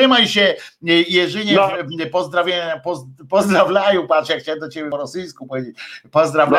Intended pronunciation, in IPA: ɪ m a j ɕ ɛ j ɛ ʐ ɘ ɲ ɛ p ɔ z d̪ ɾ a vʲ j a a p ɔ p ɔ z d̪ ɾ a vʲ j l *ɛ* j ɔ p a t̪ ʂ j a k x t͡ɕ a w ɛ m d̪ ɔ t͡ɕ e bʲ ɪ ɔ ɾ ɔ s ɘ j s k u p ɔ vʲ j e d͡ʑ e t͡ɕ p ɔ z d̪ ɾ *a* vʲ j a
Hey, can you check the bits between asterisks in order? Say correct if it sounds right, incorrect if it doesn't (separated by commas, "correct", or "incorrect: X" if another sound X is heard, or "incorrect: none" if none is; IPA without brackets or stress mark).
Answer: incorrect: a, correct